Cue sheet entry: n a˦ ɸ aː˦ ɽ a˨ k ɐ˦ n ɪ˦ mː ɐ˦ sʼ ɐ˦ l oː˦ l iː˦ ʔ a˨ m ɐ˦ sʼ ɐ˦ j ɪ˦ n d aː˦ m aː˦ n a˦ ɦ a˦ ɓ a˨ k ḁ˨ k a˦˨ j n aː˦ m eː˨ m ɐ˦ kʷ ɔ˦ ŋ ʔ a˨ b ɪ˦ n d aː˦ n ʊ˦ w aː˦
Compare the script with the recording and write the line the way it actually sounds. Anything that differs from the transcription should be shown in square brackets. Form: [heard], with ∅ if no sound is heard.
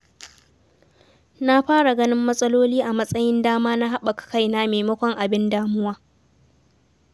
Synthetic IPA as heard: n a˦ ɸ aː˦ ɽ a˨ [ɡ] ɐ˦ n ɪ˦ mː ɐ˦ sʼ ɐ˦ l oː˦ l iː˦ ʔ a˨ m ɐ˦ sʼ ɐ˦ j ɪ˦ n d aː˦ m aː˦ n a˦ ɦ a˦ ɓ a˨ k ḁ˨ k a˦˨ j n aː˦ m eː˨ m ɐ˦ kʷ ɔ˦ ŋ ʔ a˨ b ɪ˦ n d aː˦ [m] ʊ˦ w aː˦